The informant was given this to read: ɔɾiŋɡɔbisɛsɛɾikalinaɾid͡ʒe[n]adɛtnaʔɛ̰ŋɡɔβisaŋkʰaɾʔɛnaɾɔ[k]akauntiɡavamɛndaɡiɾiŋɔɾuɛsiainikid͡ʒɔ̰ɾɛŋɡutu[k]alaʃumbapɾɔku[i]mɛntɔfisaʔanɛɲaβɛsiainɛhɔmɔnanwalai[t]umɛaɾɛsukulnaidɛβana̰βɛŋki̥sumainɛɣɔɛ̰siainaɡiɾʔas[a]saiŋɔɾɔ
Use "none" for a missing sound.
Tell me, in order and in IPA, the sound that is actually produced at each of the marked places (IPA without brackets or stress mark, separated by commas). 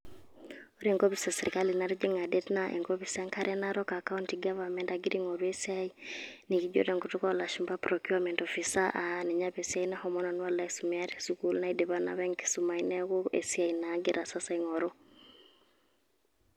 ŋ, k, k, a, s, a